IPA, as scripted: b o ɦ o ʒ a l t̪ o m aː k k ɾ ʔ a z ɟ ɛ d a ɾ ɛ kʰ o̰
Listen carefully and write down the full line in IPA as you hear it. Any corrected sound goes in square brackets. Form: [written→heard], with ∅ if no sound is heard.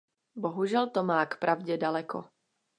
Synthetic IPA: b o ɦ [o→u] ʒ [a→ɛ] l t̪ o m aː k [k→p] ɾ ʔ a [z→v] ɟ ɛ d a [ɾ→l] ɛ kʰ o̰